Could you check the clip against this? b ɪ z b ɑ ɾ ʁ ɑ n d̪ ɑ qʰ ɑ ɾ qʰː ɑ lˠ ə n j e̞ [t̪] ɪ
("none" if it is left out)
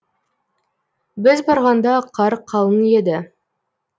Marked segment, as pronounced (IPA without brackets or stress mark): d̪